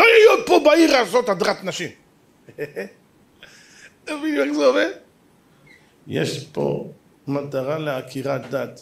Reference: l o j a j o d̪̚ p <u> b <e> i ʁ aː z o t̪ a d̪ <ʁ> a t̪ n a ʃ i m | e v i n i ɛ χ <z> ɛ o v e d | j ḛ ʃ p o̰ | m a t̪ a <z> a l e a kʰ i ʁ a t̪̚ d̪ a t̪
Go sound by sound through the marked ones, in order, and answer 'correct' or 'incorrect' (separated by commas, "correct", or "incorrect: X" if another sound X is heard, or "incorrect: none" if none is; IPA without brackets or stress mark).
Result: incorrect: o, incorrect: a, correct, correct, incorrect: ʁ